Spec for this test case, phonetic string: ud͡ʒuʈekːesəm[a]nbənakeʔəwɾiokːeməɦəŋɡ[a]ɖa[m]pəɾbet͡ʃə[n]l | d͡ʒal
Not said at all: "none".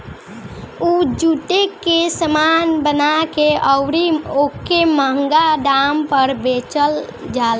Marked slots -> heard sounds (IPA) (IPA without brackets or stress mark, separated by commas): a, a, m, none